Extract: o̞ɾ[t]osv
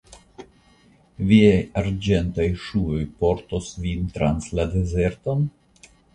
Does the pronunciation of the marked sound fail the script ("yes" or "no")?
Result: no